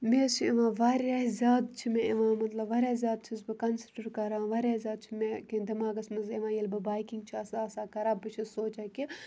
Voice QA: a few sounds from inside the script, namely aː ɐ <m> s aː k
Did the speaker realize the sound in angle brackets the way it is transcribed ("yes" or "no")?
no